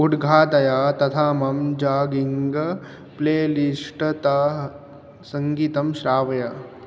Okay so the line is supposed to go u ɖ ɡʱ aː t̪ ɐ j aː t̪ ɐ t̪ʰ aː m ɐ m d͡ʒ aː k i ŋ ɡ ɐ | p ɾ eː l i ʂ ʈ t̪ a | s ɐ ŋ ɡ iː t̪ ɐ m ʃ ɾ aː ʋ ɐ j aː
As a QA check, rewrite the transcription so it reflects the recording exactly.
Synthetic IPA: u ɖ ɡʱ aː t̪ ɐ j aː t̪ ɐ t̪ʰ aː m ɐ m d͡ʒ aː ɡ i ŋ ɡ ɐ | p l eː l i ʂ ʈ t̪ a | s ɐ ŋ ɡ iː t̪ ɐ m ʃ ɾ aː ʋ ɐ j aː

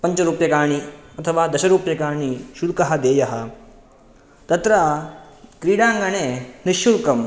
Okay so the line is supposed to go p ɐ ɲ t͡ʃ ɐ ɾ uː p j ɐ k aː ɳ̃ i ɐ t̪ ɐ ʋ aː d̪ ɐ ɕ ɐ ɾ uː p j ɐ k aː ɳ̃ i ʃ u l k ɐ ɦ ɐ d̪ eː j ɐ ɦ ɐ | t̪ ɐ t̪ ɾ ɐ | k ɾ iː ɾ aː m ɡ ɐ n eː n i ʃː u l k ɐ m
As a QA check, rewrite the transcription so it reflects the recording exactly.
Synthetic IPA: p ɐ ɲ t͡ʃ ɐ ɾ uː p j ɐ k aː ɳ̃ i ɐ t̪ʰ ɐ ʋ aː d̪ ɐ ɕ ɐ ɾ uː p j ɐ k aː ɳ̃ i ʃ u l k ɐ ɦ ɐ d̪ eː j ɐ ɦ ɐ | t̪ ɐ t̪ ɾ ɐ | k ɾ iː ɽ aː ŋ ɡ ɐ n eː n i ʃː u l k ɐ m

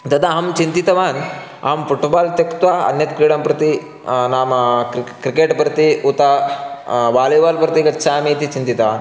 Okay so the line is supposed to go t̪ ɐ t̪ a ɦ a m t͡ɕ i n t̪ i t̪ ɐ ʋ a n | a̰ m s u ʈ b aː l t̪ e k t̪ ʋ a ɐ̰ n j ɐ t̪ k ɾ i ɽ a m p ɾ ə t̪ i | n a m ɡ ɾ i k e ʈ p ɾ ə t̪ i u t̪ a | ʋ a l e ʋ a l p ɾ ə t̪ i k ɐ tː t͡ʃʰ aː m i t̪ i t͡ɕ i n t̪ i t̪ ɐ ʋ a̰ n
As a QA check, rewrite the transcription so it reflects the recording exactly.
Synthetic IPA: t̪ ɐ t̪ a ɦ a m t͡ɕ i n t̪ i t̪ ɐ ʋ a n | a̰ m f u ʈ b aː l t̪ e k t̪ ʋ a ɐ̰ n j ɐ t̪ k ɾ i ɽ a m p ɾ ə t̪ i | n a m k ɾ i k e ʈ p ɾ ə t̪ i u t̪ a | ʋ a l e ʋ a l p ɾ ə t̪ i k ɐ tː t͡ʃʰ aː m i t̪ i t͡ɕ i n t̪ i t̪ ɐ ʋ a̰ n

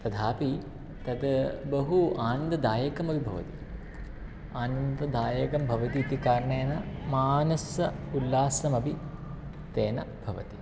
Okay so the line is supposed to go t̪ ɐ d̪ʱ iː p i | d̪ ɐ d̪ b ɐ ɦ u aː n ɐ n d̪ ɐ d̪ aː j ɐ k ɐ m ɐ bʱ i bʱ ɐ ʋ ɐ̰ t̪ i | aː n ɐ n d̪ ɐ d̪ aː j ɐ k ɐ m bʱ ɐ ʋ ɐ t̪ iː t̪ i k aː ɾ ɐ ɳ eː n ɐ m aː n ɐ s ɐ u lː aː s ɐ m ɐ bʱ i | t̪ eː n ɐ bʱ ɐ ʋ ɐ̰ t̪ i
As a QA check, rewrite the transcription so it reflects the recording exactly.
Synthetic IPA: t̪ ɐ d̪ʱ aː p i | t̪ ɐ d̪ b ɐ ɦ u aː n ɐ n d̪ ɐ d̪ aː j ɐ k ɐ m ɐ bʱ i bʱ ɐ ʋ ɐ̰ t̪ i | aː n ɐ n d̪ ɐ d̪ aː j ɐ k ɐ m bʱ ɐ ʋ ɐ t̪ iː t̪ i k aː ɾ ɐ ɳ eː n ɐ m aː n ɐ s ɐ u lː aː s ɐ m ɐ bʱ i | t̪ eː n ɐ bʱ ɐ ʋ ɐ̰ t̪ i

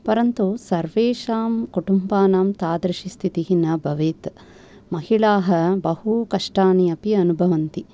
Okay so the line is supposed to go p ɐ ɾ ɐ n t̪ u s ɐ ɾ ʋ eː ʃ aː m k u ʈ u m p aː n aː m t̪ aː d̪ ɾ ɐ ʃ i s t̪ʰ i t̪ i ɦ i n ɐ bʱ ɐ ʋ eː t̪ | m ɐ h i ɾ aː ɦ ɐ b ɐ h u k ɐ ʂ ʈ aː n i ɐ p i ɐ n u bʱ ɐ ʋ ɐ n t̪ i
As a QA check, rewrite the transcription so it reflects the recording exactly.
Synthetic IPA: p ɐ ɾ ɐ n t̪ u s ɐ ɾ ʋ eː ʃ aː m k u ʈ u m b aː n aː m t̪ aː d̪ ɾ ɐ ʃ i s t̪ʰ i t̪ i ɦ i n ɐ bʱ ɐ ʋ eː t̪ | m ɐ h i ɭ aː ɦ ɐ b ɐ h u k ɐ ʂ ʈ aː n i ɐ p i ɐ n u bʱ ɐ ʋ ɐ n t̪ i

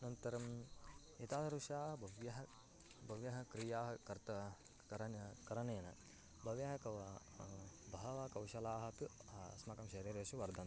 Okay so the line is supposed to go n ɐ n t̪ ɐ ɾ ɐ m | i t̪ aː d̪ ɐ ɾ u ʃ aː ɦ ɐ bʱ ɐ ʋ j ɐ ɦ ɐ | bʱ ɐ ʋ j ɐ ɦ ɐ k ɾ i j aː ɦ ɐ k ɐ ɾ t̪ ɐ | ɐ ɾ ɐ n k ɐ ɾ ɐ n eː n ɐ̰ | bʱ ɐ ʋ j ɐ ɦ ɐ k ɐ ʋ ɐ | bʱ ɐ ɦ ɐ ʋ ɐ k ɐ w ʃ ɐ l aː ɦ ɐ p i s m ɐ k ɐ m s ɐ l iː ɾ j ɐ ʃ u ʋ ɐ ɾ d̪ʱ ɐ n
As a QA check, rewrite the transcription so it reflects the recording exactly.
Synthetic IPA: n ɐ n t̪ ɐ ɾ ɐ m | i t̪ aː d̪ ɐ ɾ u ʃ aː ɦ ɐ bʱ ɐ ʋ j ɐ ɦ ɐ | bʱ ɐ ʋ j ɐ ɦ ɐ k ɾ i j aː ɦ ɐ k ɐ ɾ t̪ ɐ | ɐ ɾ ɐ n k ɐ ɾ ɐ n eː n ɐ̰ | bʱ ɐ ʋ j ɐ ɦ ɐ k ɐ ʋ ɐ | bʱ ɐ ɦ ɐ ʋ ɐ k ɐ w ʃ ɐ l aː ɦ ɐ p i s m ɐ k ɐ m ʃ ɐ ɾ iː ɾ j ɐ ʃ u ʋ ɐ ɾ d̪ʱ ɐ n

